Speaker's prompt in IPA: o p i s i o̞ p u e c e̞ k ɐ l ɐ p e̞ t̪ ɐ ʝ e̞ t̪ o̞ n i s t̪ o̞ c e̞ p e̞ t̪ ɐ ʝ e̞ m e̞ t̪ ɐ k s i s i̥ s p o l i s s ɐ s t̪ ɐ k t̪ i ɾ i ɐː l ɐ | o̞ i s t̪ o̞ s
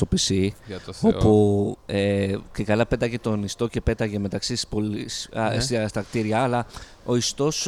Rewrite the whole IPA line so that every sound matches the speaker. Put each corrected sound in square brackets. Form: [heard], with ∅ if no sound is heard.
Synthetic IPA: o p i s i o̞ p u e c e̞ k ɐ l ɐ p e̞ t̪ ɐ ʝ e̞ t̪ o̞ n i s t̪ o̞ c e̞ p e̞ t̪ ɐ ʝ e̞ m e̞ t̪ ɐ k s i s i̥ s p o l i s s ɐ s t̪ ɐ k t̪ i ɾ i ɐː l ɐ | o̞ i s t̪ o̞ s